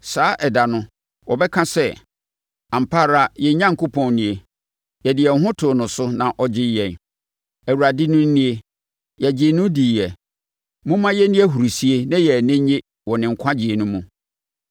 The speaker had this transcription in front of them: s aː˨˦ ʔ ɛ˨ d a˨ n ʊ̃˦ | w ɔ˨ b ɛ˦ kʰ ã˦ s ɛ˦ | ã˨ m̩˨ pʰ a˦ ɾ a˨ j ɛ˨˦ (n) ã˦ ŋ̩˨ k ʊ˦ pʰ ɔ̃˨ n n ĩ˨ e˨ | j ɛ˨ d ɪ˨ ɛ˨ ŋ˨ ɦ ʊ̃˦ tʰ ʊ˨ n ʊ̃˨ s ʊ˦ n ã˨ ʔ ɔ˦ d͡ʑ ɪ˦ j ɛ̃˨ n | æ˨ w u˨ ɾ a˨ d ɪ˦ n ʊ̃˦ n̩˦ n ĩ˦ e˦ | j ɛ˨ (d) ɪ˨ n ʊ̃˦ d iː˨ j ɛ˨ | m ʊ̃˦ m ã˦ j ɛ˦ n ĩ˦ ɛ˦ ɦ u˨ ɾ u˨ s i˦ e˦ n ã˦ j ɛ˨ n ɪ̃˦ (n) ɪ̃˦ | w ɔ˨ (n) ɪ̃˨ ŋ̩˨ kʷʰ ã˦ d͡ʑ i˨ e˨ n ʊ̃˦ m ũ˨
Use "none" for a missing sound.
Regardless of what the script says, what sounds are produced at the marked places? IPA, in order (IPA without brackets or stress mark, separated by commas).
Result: ɲ, d͡ʑ, ɲ, n